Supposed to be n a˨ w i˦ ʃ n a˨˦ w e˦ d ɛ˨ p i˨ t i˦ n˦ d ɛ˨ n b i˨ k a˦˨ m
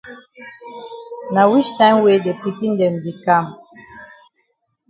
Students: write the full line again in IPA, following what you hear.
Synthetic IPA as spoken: n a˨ w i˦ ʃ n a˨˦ w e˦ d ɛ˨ p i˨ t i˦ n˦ d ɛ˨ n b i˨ k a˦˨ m